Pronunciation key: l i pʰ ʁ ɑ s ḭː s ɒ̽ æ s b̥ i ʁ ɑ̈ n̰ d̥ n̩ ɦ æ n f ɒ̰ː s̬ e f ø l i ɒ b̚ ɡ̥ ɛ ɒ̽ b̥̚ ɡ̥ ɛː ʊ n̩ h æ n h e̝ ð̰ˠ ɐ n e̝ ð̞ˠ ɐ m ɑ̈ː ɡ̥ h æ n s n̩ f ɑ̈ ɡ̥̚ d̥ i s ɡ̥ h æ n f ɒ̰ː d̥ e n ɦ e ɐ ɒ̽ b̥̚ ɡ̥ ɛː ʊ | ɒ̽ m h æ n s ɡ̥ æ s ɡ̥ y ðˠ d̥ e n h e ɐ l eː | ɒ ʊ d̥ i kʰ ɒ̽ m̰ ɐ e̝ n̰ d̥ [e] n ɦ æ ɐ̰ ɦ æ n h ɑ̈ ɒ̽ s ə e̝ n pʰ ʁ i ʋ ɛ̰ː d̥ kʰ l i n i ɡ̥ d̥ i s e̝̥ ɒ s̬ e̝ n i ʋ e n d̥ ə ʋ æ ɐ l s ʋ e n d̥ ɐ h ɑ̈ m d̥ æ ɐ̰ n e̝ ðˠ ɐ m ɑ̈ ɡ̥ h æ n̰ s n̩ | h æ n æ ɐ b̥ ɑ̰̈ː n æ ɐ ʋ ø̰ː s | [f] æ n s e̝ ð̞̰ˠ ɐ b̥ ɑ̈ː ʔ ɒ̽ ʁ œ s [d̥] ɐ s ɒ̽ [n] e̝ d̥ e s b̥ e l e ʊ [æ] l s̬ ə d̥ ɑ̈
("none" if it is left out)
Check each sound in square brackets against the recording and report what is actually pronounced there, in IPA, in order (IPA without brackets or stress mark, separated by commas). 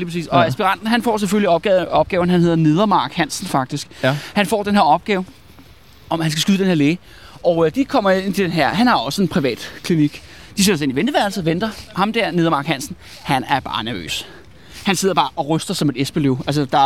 e, h, d̥, m, æ